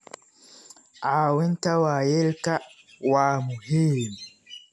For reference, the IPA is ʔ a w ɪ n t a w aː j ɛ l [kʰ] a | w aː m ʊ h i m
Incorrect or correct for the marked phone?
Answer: incorrect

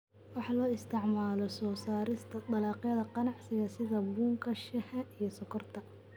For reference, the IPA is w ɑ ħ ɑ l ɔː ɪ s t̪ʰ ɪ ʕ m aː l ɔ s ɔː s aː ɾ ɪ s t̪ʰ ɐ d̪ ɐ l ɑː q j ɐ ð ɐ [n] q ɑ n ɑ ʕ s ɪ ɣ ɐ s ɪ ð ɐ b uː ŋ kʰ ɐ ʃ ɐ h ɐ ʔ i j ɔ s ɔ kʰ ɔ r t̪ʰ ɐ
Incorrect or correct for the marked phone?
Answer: incorrect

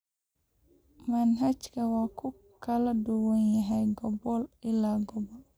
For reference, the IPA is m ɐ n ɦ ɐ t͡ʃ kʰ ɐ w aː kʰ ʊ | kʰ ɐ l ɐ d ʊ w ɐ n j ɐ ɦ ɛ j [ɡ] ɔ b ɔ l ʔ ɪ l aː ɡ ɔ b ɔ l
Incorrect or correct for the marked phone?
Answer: correct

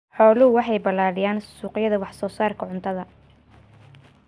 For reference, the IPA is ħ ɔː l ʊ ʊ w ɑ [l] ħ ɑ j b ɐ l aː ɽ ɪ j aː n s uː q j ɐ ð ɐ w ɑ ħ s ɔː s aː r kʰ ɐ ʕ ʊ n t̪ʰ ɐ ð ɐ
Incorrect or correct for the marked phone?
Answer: incorrect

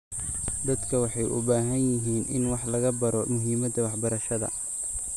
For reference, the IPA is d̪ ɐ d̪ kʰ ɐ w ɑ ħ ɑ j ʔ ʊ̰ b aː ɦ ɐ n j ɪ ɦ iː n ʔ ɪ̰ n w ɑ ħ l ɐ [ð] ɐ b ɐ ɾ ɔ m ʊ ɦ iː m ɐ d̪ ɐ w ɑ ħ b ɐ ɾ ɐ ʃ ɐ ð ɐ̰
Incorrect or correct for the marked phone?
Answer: incorrect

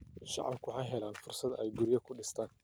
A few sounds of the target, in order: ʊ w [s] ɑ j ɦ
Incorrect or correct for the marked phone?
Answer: incorrect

